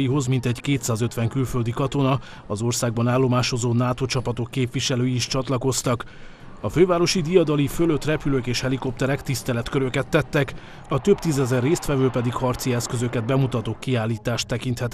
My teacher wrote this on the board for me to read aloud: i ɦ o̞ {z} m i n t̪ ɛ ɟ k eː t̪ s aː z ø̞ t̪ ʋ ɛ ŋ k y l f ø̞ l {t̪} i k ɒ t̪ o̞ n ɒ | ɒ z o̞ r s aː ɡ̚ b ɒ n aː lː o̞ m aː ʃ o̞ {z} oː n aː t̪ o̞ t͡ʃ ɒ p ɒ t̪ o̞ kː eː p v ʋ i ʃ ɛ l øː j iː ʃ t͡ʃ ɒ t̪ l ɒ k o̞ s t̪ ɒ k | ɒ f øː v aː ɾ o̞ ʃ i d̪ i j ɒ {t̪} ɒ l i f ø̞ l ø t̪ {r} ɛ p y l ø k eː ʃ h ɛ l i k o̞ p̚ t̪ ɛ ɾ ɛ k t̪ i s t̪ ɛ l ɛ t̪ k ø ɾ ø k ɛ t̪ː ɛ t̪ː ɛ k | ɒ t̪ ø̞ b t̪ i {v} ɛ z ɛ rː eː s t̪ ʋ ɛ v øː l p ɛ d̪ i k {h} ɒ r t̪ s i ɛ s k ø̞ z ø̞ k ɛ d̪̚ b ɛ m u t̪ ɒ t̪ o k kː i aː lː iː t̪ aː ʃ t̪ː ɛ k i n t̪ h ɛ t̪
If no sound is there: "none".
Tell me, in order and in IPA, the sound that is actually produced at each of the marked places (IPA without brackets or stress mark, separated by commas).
z, d̪, z, d̪, r, z, h